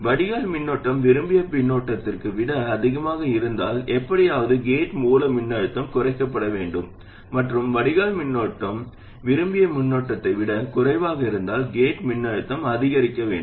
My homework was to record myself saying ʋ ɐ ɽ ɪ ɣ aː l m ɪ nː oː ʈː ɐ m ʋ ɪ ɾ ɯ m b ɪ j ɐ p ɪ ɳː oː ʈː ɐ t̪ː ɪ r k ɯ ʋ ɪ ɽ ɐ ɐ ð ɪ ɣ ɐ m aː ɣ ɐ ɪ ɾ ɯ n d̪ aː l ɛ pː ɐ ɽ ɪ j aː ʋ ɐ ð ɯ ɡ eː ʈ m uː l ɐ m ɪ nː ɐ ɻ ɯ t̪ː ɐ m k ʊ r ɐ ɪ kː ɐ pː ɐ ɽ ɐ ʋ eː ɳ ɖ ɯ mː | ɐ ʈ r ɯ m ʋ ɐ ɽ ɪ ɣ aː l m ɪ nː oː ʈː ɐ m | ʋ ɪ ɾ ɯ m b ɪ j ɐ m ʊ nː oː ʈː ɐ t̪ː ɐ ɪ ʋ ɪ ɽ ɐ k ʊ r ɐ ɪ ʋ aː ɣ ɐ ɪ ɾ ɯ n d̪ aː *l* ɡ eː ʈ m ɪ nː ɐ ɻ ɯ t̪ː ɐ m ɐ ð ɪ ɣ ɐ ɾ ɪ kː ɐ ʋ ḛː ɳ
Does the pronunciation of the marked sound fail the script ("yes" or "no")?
no